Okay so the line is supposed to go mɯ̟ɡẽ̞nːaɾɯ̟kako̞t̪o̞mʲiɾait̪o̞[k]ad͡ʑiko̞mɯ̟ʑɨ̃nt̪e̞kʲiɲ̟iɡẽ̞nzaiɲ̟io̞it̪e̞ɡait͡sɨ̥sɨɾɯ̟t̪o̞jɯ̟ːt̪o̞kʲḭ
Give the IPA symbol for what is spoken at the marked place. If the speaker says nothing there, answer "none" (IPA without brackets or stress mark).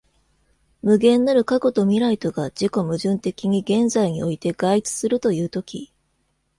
ɡ